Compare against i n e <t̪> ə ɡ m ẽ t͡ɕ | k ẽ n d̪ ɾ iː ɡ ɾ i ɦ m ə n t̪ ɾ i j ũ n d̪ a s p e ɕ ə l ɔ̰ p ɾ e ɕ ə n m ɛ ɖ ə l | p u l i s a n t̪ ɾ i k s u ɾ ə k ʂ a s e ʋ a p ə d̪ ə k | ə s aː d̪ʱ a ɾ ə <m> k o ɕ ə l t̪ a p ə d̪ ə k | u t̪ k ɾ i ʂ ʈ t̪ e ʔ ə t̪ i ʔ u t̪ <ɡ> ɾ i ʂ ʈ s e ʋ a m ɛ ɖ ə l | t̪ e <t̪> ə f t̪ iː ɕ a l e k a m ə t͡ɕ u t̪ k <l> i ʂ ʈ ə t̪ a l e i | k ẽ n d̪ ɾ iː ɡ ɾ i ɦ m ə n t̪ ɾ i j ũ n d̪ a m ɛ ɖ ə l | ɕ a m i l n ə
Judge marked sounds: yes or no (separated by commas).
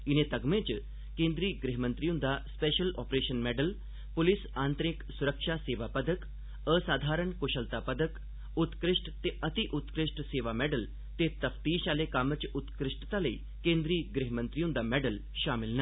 yes, no, no, yes, no